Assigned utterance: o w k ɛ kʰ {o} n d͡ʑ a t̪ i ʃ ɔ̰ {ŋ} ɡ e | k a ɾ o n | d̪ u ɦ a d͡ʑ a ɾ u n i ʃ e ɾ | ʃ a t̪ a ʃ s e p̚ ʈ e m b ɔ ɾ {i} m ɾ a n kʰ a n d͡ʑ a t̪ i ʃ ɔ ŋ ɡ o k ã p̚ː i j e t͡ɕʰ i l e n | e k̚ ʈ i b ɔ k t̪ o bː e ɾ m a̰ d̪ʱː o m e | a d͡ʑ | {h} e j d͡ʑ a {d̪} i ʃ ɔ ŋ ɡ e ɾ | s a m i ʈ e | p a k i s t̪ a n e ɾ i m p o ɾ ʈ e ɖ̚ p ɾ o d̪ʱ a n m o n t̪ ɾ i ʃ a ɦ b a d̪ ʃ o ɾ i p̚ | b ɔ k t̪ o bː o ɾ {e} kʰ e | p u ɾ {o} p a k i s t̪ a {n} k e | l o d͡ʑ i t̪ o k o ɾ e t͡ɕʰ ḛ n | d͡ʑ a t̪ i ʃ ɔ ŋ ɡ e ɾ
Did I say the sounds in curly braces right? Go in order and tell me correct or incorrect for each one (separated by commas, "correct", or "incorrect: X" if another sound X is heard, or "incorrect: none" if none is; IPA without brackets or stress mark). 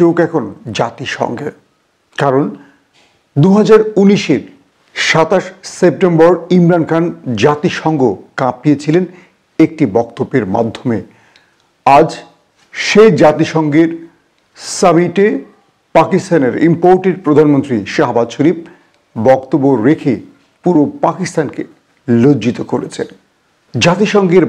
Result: correct, correct, correct, incorrect: ʃ, incorrect: t̪, correct, correct, correct